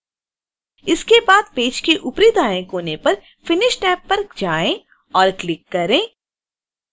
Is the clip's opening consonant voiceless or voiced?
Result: voiceless